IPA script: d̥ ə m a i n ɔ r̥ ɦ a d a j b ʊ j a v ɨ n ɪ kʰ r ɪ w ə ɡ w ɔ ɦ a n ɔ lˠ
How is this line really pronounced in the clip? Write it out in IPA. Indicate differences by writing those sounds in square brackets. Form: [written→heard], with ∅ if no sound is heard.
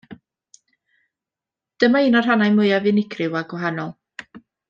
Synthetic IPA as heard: d̥ ə m a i n ɔ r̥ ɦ a [d→n] a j [b→m] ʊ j a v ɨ n ɪ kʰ r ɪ w [ə→a] ɡ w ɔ ɦ a n ɔ lˠ